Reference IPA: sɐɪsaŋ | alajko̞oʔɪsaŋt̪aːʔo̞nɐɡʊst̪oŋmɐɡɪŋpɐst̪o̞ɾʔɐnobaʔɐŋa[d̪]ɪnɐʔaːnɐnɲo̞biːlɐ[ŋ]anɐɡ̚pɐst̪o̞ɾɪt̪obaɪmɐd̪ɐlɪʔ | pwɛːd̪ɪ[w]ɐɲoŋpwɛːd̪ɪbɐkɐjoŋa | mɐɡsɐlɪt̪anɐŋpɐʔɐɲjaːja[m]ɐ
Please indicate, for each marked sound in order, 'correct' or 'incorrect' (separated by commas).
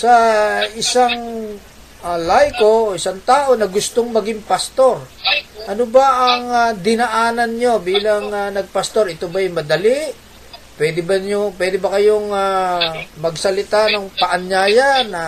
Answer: correct, correct, incorrect, incorrect